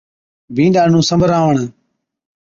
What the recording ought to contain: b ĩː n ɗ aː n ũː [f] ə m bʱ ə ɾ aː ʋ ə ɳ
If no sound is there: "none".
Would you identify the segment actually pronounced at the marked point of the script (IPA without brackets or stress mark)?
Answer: s